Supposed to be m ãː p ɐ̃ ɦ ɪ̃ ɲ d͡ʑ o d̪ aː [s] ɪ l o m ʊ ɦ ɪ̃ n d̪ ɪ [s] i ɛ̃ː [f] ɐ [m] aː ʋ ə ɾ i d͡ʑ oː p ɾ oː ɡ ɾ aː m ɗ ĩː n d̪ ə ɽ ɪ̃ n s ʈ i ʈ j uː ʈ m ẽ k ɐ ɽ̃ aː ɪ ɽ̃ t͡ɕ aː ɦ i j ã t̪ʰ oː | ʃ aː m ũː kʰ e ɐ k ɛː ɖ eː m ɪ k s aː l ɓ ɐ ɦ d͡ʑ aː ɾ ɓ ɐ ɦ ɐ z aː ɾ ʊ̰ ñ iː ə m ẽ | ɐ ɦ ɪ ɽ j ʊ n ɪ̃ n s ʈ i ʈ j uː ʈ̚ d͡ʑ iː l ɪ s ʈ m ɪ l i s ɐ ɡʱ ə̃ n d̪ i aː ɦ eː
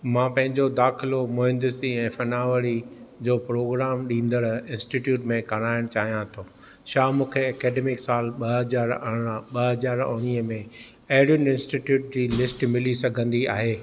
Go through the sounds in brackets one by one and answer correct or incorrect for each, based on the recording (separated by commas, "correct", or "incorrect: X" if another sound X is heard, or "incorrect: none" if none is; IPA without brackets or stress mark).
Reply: incorrect: x, correct, correct, incorrect: n